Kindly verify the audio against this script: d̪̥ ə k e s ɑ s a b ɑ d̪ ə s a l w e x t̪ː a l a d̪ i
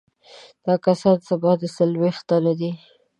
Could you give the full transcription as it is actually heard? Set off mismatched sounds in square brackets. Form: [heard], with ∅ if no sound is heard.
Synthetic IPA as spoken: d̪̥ [ɑ] k [a] s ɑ s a b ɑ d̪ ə s a l w e x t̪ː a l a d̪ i